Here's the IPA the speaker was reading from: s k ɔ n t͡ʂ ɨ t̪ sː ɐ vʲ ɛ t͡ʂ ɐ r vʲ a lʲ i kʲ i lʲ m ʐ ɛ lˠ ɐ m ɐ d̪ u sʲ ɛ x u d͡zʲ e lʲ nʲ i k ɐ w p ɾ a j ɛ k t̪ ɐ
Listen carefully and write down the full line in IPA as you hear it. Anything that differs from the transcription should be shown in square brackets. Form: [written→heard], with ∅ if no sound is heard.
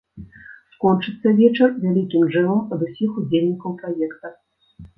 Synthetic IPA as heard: s k ɔ n t͡ʂ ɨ t̪ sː ɐ vʲ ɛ t͡ʂ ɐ r vʲ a lʲ i kʲ i [lʲ→∅] m ʐ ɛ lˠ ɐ m ɐ d̪ u sʲ [ɛ→i] x u d͡zʲ e lʲ nʲ i k ɐ w p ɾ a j ɛ k t̪ ɐ